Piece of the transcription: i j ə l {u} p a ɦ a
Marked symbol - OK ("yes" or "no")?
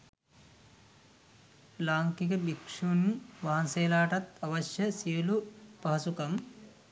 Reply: yes